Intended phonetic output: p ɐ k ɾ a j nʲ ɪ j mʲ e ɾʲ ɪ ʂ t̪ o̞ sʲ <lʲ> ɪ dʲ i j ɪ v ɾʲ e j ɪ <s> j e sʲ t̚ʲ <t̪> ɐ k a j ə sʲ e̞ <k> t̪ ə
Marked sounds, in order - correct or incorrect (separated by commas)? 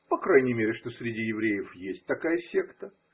incorrect, incorrect, correct, correct